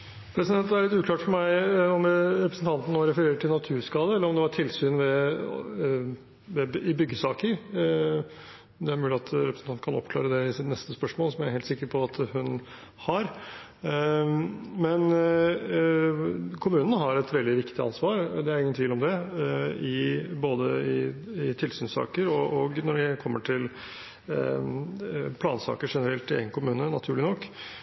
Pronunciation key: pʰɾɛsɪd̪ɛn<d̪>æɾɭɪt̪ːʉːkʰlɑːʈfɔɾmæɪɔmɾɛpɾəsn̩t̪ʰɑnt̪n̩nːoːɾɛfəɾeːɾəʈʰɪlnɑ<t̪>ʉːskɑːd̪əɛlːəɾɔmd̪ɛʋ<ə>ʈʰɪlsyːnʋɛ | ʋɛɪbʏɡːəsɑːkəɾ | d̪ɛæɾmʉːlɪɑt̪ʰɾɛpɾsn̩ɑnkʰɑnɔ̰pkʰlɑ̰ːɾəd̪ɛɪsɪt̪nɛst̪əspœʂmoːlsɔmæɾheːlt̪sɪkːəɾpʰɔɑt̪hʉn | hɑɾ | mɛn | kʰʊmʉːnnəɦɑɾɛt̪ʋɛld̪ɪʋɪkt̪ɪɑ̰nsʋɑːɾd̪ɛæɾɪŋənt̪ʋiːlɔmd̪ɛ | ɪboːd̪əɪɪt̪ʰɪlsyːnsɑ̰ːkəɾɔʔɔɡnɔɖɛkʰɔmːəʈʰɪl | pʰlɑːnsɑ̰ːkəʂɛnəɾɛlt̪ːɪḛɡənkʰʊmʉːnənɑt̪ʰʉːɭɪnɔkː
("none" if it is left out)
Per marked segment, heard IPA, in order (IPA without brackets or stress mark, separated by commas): t̪, t̪ʰ, ɑ